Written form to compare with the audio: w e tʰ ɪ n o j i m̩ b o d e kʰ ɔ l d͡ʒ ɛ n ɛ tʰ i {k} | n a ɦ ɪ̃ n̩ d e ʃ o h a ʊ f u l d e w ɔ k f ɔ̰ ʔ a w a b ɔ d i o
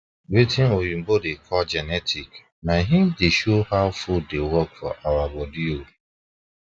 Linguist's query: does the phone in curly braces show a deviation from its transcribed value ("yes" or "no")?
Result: no